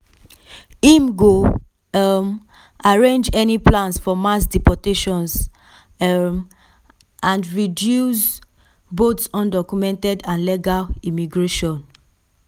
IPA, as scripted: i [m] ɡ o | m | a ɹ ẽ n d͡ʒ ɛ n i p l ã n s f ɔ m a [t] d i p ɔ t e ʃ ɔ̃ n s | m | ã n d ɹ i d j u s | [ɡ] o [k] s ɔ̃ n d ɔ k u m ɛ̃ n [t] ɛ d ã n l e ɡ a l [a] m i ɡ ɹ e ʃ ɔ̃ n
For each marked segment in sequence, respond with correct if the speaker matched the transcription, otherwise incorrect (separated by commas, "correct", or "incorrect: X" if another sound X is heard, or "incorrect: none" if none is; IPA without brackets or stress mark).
correct, incorrect: s, incorrect: b, incorrect: t, correct, incorrect: i